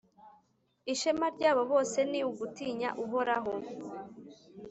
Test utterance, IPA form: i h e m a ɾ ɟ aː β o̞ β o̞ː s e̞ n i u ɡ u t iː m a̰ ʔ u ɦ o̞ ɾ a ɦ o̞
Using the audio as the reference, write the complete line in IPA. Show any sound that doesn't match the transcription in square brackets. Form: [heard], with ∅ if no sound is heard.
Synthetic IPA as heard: i [ʃ] e m a ɾ ɟ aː β o̞ β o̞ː s e̞ n i u ɡ u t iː [ɲ] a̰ ʔ u ɦ o̞ ɾ a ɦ o̞

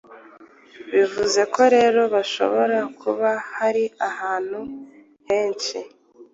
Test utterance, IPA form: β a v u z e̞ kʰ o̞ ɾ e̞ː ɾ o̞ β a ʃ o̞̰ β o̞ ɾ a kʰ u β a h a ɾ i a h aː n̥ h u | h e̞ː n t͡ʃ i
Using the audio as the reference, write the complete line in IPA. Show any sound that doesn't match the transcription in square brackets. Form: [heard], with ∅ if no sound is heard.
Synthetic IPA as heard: β [i] v u z e̞ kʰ o̞ ɾ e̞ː ɾ o̞ β a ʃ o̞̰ β o̞ ɾ a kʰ u β a h a ɾ i a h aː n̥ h u | h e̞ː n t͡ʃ i

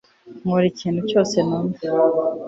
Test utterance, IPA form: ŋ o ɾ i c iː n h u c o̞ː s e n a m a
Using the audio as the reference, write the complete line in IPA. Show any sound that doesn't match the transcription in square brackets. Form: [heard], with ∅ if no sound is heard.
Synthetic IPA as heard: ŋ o ɾ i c iː n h u c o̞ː s e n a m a

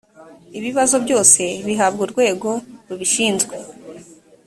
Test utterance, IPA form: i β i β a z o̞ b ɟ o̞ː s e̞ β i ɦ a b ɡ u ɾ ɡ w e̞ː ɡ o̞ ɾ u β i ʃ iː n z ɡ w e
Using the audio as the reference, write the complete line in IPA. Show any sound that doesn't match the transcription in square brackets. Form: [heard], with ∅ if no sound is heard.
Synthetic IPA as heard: i β i β a z o̞ b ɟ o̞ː s e̞ β i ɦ a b ɡ u ɾ ɡ w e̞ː ɡ o̞ ɾ u β i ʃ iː n z ɡ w e

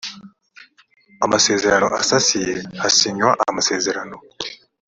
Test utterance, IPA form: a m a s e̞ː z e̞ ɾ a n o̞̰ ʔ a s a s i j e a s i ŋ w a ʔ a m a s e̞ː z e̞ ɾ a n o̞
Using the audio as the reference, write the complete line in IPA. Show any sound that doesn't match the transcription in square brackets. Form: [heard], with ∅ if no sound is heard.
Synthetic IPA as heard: a m a s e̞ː z e̞ ɾ a n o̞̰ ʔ a s a s i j e a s i [ɲ] w a ʔ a m a s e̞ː z e̞ ɾ a n o̞

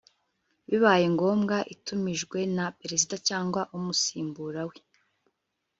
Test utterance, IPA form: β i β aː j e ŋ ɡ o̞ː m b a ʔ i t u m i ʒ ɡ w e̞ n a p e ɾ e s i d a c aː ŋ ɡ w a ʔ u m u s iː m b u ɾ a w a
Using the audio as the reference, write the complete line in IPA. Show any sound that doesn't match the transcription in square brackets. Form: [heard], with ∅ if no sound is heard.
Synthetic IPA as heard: β i β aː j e ŋ ɡ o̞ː m [ɡ] a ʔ i t u m i ʒ ɡ w e̞ n a p e ɾ e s i d a c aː ŋ ɡ w a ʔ u m u s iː m b u ɾ a w [e]

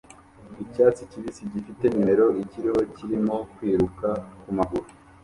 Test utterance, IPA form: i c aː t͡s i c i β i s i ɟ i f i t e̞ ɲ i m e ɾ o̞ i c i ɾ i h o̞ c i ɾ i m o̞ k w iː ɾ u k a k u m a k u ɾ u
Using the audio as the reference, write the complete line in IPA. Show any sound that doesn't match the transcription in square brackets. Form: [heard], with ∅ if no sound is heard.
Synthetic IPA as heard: i c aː t͡s i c i β i s i ɟ i f i t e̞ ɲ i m e ɾ o̞ i c i ɾ i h o̞ c i ɾ i m o̞ k w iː ɾ u k a k u m a [ɡ] u ɾ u

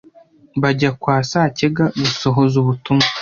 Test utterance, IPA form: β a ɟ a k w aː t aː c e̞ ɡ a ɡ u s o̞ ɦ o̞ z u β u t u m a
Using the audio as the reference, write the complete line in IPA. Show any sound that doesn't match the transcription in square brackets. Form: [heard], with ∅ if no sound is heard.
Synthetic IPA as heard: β a ɟ a k w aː [s] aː c e̞ ɡ a ɡ u s o̞ ɦ o̞ z u β u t u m a

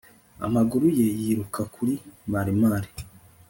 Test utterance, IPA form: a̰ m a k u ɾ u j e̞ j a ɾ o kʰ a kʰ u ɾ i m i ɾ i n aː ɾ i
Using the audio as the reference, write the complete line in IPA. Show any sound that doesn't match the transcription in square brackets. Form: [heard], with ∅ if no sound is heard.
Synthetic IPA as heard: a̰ m a [ɡ] u ɾ u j e̞ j [i] ɾ [u] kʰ a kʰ u ɾ i m [a] ɾ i [m] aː ɾ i

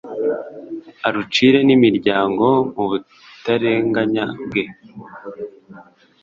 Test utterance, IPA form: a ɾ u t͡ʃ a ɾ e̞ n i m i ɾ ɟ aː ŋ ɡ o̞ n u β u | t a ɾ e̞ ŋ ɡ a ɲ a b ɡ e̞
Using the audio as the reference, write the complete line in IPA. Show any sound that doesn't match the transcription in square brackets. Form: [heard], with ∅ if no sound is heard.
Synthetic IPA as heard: a ɾ u t͡ʃ [i] ɾ e̞ n i m i ɾ ɟ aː ŋ ɡ o̞ [m] u β u | t a ɾ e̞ ŋ ɡ a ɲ a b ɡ e̞

